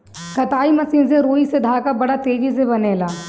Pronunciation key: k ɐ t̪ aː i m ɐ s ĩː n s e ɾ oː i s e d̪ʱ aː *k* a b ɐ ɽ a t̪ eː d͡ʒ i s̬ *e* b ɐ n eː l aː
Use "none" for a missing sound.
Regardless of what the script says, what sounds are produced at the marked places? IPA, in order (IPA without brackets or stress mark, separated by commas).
k, e